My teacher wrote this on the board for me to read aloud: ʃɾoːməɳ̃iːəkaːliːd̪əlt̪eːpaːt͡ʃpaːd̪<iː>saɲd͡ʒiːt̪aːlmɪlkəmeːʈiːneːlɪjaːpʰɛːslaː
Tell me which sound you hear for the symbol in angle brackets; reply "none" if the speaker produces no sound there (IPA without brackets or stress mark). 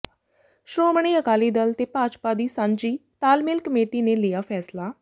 iː